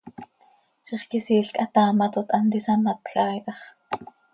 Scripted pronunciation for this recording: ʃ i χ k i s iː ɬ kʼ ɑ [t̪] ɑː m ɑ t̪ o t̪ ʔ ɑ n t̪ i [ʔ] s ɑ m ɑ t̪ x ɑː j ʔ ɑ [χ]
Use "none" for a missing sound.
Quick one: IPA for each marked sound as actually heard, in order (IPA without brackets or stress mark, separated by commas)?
t̪, none, χ